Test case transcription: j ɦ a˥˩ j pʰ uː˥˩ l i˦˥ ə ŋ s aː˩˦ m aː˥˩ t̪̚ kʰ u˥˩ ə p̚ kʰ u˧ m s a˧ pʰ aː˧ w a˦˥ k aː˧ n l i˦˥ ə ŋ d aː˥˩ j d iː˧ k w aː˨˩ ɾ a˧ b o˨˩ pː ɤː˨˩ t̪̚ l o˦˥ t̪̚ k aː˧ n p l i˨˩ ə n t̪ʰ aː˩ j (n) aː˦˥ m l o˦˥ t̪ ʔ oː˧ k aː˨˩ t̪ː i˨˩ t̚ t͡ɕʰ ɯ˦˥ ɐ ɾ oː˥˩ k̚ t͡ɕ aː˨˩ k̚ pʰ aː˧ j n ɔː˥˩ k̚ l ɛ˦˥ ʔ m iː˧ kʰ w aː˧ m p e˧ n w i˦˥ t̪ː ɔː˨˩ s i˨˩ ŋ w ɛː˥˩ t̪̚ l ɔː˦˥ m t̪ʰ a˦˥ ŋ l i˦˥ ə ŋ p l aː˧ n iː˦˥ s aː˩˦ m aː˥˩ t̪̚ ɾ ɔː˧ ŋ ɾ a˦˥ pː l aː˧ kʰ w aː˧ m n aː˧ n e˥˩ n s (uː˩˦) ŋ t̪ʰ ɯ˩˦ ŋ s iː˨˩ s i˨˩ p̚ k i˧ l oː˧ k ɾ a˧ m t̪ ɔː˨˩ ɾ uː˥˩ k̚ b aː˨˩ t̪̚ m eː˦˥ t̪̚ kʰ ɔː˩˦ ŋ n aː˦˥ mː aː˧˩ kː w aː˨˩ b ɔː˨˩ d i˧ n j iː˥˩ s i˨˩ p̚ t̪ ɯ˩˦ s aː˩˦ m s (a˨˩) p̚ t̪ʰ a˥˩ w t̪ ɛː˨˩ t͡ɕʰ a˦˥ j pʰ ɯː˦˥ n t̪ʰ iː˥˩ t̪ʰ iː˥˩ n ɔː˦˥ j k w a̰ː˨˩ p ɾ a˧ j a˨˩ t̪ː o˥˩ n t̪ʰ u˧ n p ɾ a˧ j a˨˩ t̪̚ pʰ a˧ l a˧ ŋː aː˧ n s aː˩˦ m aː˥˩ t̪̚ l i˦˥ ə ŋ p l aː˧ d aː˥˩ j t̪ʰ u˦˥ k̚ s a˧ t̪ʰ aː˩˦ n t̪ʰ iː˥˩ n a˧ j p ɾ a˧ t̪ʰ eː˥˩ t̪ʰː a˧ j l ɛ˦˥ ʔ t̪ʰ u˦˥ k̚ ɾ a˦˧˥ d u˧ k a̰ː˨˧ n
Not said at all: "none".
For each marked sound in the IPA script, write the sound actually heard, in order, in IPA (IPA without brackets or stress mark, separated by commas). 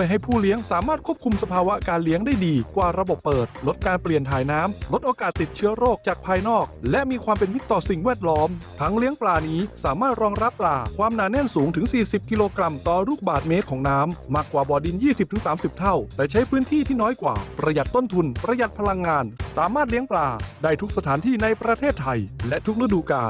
n, uː˩˦, i˨˩